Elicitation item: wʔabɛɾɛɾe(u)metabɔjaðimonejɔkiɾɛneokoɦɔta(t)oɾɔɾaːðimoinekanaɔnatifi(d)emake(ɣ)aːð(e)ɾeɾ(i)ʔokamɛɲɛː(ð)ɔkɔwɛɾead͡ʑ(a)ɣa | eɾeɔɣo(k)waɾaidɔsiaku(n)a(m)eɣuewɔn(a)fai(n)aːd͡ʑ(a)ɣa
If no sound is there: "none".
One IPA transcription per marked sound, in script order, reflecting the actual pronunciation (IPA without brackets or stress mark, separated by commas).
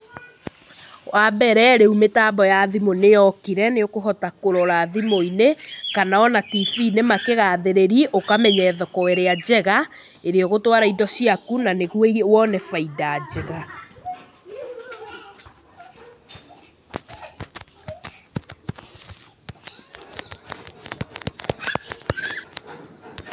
u, k, n, ɣ, e, i, ð, ɛ, t, n, n, ɛ, d, ɛ